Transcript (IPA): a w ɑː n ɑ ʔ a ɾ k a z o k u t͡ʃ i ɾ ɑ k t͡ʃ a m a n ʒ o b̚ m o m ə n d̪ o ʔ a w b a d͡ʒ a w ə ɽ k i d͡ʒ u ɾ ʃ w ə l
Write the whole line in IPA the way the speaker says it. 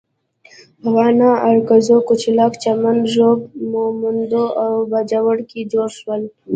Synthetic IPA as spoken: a w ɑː n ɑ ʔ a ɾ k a z o k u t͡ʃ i l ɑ k t͡ʃ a m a n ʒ o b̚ m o m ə n d̪ o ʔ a w b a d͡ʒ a w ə ɽ k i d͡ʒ o ɾ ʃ w ə l